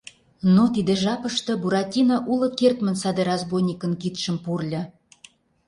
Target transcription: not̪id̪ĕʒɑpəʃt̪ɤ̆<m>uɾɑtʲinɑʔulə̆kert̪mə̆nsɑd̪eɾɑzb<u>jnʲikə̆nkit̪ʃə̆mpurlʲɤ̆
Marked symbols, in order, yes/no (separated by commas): no, no